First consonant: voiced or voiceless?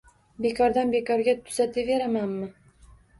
voiced